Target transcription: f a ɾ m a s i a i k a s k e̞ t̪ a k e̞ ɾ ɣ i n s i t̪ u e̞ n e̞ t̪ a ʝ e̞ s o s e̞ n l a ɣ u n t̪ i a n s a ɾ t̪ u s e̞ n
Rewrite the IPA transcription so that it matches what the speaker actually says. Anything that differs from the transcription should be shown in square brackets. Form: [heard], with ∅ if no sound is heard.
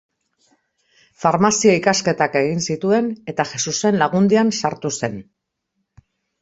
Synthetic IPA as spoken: f a ɾ m a s i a i k a s k e̞ t̪ a k e̞ [∅] ɣ i n s i t̪ u e̞ n e̞ t̪ a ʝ e̞ s [u] s e̞ n l a ɣ u n [d̪] i a n s a ɾ t̪ u s e̞ n